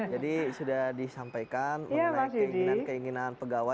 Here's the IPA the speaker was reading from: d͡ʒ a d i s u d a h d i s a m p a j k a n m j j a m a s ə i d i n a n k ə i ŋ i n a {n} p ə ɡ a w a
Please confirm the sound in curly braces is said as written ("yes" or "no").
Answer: yes